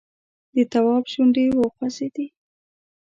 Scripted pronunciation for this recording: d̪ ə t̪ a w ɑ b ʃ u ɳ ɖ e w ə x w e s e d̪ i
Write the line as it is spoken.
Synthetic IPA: d̪ ə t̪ a w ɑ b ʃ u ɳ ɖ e w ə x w a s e d̪ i